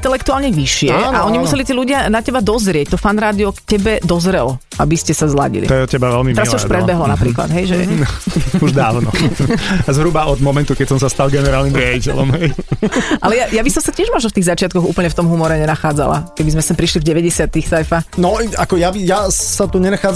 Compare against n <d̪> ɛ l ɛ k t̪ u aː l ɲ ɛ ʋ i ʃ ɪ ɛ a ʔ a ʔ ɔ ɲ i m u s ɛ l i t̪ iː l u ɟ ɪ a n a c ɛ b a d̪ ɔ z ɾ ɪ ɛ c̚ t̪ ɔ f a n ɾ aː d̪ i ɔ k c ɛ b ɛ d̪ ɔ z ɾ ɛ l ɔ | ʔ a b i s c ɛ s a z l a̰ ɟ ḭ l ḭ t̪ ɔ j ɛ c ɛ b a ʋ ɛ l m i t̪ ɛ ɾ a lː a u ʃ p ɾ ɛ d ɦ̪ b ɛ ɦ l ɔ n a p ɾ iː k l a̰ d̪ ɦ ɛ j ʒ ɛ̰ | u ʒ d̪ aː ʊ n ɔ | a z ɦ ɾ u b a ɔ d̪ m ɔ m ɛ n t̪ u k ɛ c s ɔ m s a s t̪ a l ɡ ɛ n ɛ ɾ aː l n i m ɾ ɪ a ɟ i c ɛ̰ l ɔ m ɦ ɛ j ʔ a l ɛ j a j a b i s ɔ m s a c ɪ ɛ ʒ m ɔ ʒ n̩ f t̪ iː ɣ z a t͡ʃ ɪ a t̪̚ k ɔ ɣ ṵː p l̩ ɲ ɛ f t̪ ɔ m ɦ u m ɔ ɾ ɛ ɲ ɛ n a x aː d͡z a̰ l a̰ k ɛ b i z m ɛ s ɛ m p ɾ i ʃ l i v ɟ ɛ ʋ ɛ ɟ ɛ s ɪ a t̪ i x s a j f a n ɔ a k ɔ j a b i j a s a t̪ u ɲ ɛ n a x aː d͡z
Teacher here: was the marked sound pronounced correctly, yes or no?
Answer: no